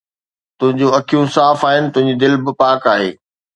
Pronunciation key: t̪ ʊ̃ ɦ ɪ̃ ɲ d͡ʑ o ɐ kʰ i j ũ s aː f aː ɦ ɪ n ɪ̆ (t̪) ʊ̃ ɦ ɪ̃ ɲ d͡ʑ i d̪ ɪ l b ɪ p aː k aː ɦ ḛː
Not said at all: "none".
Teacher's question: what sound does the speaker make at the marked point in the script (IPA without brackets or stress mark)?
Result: t̪